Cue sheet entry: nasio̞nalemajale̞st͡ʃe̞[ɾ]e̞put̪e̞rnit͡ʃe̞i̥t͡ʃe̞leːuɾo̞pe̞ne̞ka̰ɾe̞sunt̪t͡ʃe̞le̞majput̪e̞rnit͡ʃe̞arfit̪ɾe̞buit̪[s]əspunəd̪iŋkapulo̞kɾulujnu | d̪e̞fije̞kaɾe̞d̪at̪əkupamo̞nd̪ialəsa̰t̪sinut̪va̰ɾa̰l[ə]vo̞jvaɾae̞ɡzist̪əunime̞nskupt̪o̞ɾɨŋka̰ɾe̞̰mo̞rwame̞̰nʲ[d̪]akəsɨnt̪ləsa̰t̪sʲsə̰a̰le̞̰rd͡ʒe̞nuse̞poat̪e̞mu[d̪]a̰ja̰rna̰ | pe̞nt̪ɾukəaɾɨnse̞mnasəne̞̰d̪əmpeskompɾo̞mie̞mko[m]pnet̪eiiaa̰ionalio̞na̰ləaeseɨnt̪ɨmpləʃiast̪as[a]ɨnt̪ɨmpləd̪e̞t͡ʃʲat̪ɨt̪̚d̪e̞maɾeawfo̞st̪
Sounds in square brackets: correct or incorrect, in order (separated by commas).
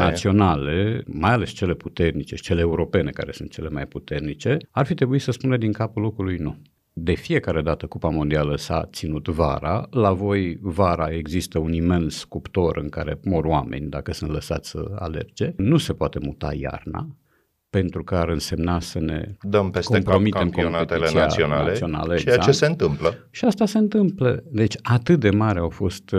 incorrect, correct, incorrect, correct, incorrect, correct, incorrect